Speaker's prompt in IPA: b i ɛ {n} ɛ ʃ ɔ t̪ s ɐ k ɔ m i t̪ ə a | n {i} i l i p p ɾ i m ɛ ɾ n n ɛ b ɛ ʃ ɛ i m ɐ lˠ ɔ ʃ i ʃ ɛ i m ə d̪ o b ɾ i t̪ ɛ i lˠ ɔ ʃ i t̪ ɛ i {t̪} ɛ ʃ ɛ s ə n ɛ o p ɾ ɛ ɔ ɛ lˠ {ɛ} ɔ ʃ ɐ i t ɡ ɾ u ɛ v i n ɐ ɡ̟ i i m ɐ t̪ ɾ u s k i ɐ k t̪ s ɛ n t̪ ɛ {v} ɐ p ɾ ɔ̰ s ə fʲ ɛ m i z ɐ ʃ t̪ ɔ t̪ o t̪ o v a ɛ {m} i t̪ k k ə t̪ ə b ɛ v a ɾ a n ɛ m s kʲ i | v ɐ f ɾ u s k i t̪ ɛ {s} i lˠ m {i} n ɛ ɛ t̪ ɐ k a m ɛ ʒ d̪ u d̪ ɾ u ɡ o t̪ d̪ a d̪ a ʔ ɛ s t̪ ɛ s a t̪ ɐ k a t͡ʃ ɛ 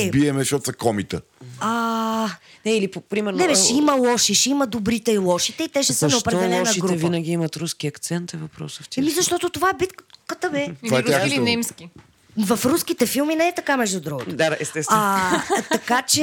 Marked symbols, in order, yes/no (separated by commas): no, no, yes, yes, yes, no, no, yes